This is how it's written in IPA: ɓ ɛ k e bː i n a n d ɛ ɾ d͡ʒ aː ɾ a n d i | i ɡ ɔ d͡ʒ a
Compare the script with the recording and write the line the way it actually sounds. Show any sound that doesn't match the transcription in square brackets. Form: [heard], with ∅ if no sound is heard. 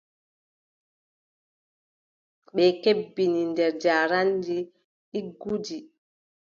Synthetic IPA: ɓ ɛ k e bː i n [i] n d ɛ ɾ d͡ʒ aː ɾ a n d i | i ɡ [u] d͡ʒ [i]